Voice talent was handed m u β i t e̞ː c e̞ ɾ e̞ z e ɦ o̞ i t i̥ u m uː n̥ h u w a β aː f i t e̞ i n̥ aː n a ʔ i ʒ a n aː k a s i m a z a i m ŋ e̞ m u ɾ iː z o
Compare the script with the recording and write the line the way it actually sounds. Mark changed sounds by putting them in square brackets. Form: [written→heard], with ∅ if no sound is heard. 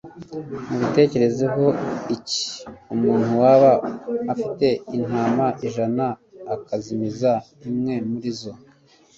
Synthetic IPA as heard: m u β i t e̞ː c e̞ ɾ e̞ z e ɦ o̞ i [t→c] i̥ u m uː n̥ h u w a β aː f i t e̞ i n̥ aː [n→m] a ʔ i ʒ a n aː k a [s→z] i m [a→i] z a i m ŋ e̞ m u ɾ [iː→i] z o